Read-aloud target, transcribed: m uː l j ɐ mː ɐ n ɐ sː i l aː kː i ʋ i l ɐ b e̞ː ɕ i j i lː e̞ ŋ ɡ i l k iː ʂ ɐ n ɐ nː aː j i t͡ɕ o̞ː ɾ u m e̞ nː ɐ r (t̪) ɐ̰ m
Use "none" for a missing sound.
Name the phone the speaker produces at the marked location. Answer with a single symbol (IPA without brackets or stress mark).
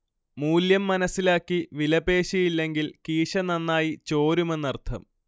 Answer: t̪ʰ